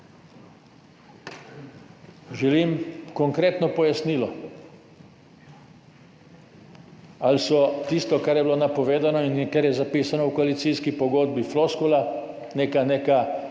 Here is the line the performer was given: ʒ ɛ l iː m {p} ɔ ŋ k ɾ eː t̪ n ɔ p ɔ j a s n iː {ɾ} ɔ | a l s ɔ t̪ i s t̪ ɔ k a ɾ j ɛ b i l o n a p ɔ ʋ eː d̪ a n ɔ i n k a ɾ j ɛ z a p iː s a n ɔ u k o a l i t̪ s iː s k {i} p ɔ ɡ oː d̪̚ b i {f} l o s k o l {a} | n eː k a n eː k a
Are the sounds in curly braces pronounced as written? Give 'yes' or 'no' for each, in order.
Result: no, no, yes, yes, yes

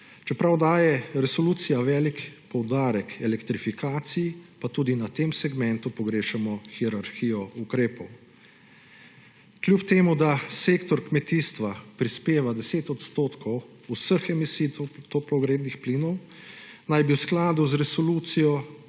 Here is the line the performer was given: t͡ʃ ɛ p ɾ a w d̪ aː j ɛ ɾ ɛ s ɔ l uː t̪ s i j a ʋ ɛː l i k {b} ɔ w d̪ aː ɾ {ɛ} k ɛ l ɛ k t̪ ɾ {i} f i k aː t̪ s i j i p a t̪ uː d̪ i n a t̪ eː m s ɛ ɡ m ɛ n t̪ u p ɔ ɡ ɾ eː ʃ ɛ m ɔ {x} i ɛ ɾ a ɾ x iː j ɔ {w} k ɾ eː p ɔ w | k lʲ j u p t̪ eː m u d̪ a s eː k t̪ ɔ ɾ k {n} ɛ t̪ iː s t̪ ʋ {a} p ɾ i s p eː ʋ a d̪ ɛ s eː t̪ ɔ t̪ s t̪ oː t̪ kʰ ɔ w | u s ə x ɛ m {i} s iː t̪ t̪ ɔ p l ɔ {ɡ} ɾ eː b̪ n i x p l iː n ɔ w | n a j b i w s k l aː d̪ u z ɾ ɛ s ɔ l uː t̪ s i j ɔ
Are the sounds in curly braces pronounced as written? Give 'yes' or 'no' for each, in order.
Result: no, yes, yes, yes, no, no, yes, yes, yes

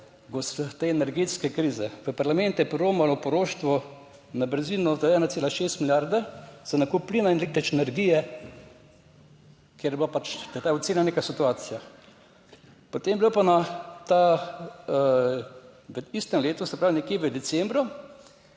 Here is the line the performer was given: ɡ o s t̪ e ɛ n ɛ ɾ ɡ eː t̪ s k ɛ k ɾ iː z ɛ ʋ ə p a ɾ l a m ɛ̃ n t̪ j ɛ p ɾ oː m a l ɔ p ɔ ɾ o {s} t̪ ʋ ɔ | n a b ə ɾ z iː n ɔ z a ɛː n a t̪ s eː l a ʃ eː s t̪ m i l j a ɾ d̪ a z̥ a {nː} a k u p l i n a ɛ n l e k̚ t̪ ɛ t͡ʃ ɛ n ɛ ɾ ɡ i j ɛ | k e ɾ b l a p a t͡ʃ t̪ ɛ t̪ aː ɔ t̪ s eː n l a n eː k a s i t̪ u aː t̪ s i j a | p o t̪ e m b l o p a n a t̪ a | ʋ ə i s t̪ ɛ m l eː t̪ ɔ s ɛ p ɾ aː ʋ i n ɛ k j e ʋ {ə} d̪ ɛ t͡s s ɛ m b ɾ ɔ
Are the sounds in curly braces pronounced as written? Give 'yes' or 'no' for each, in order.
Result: no, no, yes

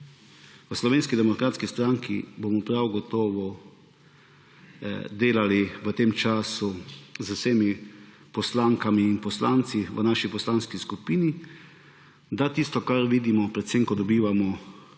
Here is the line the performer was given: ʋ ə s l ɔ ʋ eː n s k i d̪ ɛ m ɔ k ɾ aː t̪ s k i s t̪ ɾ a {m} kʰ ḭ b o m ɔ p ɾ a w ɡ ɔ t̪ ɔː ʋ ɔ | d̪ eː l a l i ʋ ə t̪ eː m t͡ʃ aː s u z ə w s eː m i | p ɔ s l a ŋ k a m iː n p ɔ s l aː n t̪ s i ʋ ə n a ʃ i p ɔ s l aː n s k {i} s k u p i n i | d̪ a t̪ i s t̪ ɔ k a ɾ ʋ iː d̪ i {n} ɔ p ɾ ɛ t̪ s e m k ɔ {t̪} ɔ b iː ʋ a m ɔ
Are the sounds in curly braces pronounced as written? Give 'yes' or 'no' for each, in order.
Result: no, yes, no, no

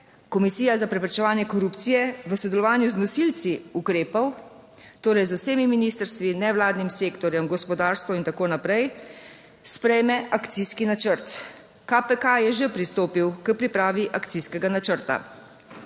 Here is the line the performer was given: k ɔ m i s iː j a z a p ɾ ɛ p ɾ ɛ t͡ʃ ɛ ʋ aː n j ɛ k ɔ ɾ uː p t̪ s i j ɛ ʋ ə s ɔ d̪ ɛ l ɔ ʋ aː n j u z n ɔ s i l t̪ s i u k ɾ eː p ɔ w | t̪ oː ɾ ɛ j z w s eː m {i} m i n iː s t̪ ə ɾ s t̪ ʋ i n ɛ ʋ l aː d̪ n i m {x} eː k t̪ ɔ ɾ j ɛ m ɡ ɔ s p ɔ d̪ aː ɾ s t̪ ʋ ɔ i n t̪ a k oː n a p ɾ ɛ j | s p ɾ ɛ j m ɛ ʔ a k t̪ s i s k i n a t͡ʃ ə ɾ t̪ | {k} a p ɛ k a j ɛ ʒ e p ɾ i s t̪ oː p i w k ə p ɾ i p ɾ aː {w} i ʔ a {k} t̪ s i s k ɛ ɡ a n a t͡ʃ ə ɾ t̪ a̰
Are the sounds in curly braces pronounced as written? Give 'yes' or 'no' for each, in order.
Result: yes, no, yes, no, yes

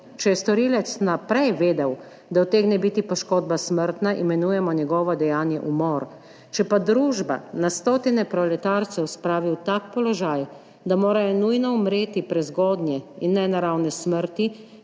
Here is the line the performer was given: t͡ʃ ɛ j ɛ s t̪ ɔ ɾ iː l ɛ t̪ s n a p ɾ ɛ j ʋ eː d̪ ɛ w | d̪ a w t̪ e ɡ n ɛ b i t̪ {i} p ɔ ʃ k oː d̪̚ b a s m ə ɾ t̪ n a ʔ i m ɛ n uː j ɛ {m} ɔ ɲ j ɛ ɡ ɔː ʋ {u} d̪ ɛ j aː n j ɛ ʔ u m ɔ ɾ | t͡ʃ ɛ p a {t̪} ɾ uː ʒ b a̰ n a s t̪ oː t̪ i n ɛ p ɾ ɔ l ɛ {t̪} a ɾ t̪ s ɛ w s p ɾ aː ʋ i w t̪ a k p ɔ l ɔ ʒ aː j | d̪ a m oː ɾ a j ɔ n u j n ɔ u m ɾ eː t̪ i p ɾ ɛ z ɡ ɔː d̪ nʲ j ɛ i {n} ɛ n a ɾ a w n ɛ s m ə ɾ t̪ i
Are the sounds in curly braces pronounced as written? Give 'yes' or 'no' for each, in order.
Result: yes, yes, no, no, yes, no

